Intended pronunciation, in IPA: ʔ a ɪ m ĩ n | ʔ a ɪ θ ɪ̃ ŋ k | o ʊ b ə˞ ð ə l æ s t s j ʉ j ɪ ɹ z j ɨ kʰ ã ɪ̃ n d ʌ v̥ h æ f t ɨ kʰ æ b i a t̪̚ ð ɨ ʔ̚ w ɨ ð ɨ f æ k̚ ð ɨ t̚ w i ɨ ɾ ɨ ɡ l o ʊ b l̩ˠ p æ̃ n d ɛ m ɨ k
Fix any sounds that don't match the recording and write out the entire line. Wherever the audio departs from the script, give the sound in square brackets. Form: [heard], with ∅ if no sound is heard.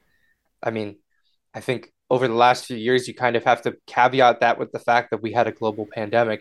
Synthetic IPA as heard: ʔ a ɪ m ĩ n | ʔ a ɪ θ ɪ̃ ŋ k | o ʊ [v] ə˞ ð ə l æ s t [f] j ʉ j ɪ ɹ z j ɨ kʰ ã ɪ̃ n d ʌ v̥ h æ f t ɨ kʰ æ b i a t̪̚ ð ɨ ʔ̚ w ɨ ð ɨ f æ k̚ ð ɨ t̚ w i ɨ ɾ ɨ ɡ l o ʊ b l̩ˠ [pʰ] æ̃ n d ɛ m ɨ k